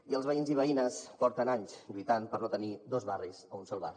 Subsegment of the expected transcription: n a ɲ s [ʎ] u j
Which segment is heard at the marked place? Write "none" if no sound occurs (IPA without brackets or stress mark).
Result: ʎ